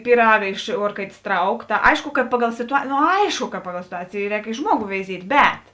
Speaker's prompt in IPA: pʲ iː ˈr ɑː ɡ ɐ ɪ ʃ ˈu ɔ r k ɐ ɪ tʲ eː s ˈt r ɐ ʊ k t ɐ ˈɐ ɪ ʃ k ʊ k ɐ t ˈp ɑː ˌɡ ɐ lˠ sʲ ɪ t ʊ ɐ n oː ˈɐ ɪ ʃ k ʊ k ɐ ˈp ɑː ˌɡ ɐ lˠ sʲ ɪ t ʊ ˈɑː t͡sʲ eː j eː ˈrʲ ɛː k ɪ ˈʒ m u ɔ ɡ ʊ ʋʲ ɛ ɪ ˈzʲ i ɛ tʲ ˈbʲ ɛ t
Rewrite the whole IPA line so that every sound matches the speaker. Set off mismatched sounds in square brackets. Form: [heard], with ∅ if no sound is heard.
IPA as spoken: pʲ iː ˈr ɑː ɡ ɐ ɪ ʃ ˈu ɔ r k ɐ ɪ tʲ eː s ˈt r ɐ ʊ k t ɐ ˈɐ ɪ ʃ k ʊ k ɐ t ˈp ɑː ˌɡ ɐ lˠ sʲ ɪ t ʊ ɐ n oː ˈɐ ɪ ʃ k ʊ k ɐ ˈp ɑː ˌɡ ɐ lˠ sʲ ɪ t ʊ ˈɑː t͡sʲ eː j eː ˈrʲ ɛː k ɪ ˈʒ m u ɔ ɡ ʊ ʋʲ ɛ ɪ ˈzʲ i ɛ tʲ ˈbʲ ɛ t